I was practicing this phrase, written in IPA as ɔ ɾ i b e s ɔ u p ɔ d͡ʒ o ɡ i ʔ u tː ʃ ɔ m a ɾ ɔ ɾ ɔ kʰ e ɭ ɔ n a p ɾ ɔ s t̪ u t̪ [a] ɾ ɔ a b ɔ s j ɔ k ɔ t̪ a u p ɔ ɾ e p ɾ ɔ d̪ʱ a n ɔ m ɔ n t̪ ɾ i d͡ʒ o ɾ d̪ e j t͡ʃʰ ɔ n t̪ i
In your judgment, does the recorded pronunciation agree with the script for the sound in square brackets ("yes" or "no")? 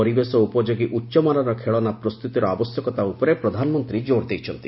no